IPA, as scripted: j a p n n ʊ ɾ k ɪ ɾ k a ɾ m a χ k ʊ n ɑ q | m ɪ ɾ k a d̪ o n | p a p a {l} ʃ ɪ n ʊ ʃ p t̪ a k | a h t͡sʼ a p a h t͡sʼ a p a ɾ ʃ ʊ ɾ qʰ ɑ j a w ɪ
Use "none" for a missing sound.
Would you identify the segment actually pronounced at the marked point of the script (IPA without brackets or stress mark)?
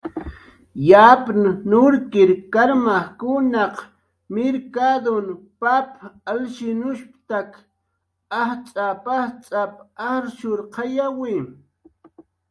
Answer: l